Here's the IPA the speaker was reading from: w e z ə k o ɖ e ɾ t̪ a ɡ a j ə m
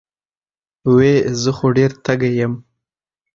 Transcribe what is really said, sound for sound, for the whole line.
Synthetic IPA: w e z ə x o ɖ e ɾ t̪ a ɡ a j ə m